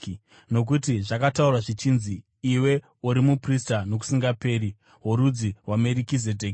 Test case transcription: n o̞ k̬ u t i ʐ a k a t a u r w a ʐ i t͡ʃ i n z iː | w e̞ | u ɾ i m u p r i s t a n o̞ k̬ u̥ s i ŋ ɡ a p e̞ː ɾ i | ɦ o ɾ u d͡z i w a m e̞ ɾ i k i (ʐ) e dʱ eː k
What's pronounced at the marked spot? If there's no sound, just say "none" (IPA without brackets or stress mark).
z